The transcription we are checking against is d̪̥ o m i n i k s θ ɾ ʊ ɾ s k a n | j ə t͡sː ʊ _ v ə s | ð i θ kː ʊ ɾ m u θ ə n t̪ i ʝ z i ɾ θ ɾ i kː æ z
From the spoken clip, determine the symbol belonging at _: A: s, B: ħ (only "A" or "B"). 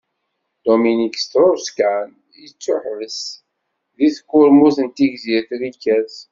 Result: B